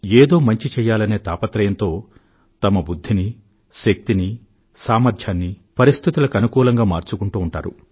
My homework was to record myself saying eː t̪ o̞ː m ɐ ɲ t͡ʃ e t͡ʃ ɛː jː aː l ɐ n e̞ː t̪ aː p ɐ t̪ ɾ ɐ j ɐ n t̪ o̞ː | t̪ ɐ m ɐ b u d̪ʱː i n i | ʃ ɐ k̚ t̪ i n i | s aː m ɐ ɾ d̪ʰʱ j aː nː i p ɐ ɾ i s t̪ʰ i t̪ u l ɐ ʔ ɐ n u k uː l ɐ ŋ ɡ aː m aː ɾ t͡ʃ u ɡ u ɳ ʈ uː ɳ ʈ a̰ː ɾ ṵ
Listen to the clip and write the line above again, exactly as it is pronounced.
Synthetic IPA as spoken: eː d̪ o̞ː m ɐ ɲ t͡ʃ i t͡ʃ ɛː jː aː l ɐ n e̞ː t̪ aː p ɐ t̪ ɾ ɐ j ɐ n t̪ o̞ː | t̪ ɐ m ɐ b u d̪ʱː i n i | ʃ ɐ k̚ t̪ i n i | s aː m ɐ ɾ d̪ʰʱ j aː nː i p ɐ ɾ i s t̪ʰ i t̪ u l ɐ k ɐ n u k uː l ɐ ŋ ɡ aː m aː ɾ t͡ʃ u k u ɳ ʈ uː ɳ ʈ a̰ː ɾ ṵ